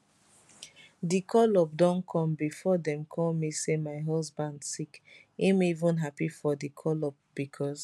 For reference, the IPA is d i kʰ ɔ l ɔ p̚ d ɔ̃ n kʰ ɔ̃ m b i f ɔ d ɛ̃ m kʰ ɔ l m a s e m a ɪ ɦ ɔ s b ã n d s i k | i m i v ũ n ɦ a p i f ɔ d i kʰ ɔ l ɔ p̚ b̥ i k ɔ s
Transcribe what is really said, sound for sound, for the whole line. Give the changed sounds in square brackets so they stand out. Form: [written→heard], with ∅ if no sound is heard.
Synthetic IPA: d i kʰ ɔ l ɔ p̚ d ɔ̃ n kʰ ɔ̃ m b i f ɔ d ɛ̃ m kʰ ɔ l m [a→i] s e m a ɪ ɦ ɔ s b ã n d s i k | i m i v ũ n ɦ a p i f ɔ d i kʰ ɔ l ɔ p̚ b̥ i [k→kʰ] ɔ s